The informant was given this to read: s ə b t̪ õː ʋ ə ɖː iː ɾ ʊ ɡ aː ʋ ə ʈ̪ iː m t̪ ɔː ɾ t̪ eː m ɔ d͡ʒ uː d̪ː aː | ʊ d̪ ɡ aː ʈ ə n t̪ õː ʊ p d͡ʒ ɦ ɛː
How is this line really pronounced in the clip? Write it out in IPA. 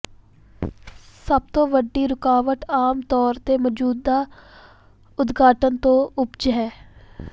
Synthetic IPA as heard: s ə b t̪ õː ʋ ə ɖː iː ɾ ʊ k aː ʋ ə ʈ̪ aː m t̪ ɔː ɾ t̪ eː m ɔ d͡ʒ uː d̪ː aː | ʊ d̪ ɡ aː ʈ ə n t̪ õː ʊ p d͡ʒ ɦ ɛː